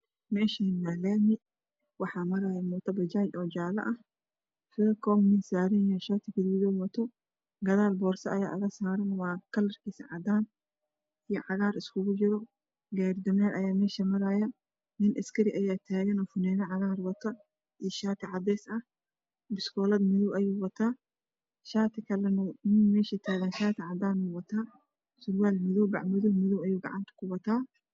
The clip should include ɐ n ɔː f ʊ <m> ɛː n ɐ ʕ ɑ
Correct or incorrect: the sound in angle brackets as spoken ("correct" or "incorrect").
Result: incorrect